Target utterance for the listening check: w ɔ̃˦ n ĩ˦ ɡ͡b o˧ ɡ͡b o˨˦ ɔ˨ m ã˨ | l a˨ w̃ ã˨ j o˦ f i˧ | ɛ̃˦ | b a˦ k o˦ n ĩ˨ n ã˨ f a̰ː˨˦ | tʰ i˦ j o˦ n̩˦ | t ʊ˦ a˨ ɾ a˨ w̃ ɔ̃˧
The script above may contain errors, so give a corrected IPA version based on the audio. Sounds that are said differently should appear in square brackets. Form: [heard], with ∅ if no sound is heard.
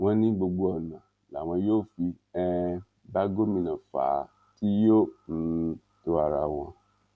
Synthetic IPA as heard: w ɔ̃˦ n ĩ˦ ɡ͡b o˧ ɡ͡b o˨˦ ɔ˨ [n] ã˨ | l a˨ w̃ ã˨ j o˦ f i˧ | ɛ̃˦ | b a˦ [ɡ] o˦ [m] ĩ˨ n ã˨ f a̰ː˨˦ | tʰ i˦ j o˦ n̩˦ | t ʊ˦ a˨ ɾ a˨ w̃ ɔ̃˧